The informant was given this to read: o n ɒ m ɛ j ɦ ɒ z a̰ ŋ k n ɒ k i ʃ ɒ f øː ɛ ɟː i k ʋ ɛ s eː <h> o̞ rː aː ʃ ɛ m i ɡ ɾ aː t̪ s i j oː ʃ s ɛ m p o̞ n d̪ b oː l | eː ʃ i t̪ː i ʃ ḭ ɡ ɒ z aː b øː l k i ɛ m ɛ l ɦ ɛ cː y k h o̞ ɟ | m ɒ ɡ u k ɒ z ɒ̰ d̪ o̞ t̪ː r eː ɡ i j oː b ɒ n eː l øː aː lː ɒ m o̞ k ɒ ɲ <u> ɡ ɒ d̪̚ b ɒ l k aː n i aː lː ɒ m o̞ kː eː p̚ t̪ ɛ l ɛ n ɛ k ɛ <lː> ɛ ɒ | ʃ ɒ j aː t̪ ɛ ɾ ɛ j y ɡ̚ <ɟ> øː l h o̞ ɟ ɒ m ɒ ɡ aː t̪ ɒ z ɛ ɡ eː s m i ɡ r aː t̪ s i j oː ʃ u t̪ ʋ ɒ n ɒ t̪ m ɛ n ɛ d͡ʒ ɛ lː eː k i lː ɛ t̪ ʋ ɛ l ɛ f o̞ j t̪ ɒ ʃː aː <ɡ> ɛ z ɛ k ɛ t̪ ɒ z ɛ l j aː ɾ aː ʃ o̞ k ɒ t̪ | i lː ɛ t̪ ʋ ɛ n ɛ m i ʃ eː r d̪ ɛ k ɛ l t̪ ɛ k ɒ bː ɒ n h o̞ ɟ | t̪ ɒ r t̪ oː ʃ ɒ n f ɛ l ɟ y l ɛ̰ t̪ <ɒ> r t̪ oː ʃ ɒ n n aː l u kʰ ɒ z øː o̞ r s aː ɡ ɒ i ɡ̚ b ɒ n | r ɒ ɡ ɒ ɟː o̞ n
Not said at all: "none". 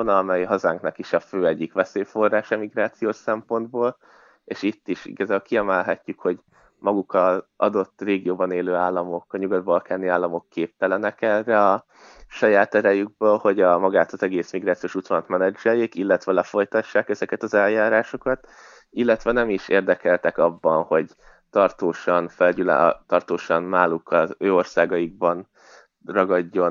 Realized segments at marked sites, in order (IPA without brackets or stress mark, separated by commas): f, u, rː, b, k, ɒ